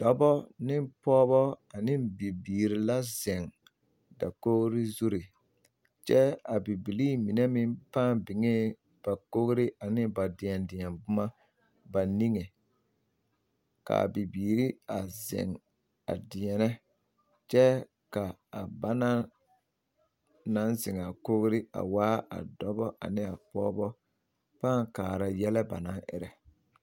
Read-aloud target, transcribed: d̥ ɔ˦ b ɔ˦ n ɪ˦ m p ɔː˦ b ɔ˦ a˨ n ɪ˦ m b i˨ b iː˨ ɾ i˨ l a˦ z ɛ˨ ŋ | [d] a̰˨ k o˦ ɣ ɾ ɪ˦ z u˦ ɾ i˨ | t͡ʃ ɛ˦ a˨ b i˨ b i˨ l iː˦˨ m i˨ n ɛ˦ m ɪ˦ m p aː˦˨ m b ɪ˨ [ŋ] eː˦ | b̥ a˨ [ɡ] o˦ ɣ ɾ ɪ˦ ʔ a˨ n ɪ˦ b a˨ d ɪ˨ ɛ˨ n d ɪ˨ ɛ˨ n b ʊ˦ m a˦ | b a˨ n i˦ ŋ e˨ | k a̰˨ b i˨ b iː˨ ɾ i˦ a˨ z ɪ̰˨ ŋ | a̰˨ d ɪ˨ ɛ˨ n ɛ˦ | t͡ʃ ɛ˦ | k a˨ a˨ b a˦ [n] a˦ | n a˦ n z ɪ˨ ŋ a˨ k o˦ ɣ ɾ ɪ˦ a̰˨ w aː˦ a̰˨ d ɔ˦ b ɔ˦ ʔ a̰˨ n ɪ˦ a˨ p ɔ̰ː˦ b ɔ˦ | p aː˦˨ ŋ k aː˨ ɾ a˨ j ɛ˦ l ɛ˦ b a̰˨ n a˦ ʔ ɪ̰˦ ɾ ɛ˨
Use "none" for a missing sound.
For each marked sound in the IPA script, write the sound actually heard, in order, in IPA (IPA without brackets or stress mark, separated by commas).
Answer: d, ŋ, k, n